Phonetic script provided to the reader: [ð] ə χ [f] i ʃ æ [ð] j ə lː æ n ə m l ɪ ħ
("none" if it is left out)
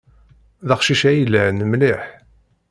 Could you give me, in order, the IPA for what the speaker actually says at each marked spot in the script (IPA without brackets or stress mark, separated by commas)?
ð, ʃ, none